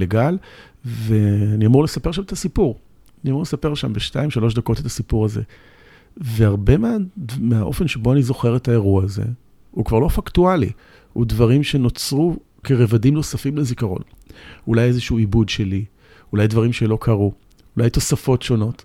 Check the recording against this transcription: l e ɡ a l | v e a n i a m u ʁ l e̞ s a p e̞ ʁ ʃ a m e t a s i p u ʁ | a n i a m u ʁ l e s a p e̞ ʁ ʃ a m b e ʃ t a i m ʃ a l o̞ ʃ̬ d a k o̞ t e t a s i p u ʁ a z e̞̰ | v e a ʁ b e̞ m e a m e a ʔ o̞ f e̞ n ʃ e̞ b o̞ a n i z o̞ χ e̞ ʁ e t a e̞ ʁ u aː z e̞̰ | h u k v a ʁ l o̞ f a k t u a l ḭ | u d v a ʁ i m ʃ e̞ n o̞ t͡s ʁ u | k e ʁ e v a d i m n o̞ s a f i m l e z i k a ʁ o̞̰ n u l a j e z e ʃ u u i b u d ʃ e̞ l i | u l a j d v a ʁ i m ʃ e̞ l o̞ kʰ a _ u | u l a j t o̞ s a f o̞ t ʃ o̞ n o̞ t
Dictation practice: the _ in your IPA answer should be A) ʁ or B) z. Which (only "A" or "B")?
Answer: A